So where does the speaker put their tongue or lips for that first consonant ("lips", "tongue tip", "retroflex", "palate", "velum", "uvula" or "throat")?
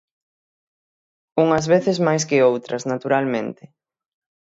velum